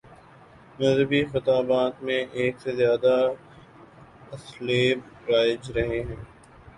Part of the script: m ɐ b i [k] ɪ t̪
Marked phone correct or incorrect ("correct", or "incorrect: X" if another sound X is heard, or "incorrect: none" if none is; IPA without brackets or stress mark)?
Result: incorrect: x